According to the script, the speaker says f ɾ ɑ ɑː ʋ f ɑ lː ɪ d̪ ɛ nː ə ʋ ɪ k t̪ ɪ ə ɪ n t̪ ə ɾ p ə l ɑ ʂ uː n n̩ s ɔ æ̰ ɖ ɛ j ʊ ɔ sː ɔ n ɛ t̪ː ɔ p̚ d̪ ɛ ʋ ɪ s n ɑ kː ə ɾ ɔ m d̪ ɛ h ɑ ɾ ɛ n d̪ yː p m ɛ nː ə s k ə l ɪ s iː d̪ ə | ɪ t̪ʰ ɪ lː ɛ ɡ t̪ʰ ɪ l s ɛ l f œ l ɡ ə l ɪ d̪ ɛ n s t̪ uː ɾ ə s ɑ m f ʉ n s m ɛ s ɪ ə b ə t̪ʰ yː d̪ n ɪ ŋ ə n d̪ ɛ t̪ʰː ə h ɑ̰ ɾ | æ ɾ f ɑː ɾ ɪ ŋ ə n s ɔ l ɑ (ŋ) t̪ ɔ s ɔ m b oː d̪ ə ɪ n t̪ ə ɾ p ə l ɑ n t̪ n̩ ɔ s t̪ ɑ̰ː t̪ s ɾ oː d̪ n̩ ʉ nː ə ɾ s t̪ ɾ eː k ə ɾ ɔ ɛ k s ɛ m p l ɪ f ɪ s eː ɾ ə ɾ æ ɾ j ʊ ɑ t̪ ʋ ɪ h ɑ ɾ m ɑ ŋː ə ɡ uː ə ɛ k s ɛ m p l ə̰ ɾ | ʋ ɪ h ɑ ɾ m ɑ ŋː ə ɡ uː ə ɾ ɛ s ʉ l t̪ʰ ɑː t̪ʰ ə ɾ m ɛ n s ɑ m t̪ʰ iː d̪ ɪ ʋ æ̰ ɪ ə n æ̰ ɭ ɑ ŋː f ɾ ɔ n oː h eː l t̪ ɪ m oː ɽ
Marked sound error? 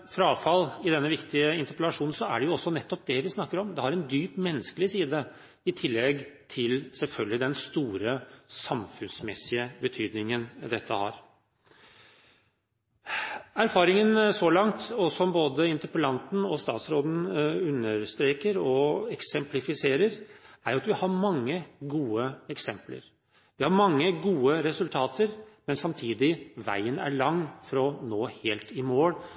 no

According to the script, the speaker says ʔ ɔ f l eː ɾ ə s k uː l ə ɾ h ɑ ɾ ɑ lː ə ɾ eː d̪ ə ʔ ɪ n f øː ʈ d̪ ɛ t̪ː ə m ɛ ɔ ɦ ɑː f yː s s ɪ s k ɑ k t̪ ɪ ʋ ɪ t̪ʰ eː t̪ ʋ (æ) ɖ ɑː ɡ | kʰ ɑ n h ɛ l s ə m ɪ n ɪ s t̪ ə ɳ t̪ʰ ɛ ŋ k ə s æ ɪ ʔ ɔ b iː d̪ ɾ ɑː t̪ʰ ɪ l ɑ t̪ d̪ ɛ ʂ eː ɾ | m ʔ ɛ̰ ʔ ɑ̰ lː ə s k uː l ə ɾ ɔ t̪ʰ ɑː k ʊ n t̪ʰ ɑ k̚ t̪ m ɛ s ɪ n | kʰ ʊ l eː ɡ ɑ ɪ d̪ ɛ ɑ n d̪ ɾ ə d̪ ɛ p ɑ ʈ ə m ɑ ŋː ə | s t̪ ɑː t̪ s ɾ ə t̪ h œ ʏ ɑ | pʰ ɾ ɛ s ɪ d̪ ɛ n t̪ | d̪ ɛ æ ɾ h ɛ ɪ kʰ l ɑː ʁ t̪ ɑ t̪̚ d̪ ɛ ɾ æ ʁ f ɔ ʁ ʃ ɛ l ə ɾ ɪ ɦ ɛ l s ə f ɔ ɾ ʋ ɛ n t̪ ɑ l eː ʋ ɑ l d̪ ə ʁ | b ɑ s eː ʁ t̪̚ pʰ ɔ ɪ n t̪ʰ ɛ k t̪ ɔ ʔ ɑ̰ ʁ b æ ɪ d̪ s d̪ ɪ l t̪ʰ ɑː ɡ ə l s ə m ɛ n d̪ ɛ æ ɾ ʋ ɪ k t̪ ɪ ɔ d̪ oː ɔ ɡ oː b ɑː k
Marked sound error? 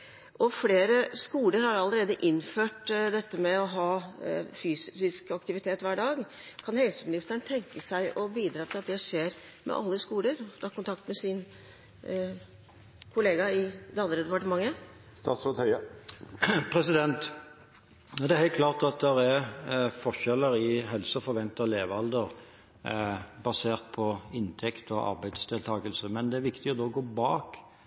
yes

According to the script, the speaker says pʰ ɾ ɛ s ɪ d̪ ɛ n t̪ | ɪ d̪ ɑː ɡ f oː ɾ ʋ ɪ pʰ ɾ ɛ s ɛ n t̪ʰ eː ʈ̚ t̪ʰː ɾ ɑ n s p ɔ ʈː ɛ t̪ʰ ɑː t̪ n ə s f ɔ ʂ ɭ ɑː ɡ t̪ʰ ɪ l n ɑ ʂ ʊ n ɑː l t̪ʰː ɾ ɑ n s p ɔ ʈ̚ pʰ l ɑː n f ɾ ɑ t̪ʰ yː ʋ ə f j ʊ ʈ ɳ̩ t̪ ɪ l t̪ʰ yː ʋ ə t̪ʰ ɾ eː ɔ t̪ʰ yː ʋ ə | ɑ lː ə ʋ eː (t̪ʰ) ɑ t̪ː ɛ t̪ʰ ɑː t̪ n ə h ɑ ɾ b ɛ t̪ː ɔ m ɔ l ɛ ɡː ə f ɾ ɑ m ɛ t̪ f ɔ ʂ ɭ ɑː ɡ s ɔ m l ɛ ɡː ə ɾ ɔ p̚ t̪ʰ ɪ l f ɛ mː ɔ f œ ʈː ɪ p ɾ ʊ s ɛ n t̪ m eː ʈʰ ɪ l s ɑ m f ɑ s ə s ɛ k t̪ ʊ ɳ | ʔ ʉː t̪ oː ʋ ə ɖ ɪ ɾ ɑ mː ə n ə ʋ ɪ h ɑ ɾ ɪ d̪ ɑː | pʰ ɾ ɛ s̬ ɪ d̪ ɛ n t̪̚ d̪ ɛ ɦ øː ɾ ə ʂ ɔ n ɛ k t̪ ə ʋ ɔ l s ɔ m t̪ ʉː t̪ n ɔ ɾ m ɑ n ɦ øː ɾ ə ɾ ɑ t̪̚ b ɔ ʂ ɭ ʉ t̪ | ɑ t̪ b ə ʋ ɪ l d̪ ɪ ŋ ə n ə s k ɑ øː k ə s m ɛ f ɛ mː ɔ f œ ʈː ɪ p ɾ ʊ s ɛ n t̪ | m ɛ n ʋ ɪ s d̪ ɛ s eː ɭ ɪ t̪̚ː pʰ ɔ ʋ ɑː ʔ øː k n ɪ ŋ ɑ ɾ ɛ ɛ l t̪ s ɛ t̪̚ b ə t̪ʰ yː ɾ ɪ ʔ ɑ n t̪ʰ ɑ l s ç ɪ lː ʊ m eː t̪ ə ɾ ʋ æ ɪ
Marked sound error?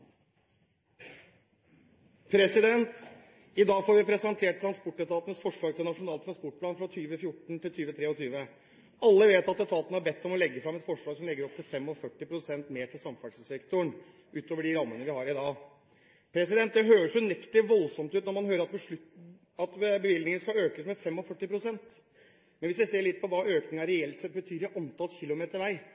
yes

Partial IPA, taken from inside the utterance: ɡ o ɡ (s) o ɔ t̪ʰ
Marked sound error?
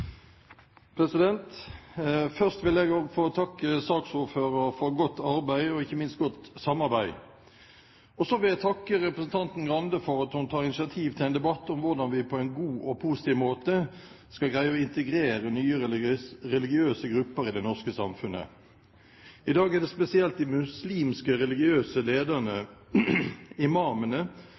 yes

